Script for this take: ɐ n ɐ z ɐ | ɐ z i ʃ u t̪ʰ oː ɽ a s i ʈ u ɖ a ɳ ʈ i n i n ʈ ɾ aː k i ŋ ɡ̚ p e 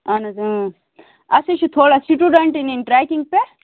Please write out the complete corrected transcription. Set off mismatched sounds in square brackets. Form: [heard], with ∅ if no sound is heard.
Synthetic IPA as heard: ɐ n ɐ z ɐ | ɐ [s] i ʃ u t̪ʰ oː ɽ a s i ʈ u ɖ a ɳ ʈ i n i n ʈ ɾ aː k i ŋ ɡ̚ p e